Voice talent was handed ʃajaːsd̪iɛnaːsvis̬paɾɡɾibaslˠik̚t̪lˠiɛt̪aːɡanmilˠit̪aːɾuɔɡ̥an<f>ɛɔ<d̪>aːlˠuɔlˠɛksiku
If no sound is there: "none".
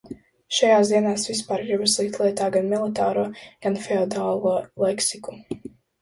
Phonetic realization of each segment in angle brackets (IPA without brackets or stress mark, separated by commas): f, d̪